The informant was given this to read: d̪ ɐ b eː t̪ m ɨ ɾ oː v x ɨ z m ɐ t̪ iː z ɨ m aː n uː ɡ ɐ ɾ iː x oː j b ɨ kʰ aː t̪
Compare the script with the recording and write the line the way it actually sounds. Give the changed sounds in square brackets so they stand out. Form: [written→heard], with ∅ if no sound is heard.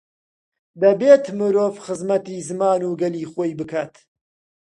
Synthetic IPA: d̪ ɐ b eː t̪ m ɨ ɾ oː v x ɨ z m ɐ t̪ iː z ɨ m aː n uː ɡ ɐ [ɾ→l] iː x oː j b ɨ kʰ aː t̪